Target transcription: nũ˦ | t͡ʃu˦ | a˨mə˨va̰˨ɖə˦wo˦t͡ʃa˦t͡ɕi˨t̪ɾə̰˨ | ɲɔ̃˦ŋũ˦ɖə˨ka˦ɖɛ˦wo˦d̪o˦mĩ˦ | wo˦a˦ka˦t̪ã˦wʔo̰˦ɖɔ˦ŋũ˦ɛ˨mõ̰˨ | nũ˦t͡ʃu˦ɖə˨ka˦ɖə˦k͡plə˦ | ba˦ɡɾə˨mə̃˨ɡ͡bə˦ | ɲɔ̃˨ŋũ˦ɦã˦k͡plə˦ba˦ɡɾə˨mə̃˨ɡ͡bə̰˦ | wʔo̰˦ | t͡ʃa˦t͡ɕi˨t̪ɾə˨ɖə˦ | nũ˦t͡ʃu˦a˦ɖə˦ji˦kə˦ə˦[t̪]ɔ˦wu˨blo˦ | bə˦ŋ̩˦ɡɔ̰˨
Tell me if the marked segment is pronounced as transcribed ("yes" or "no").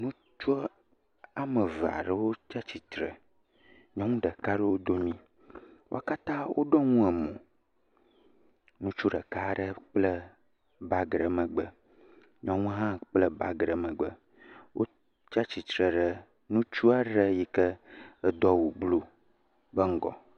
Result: no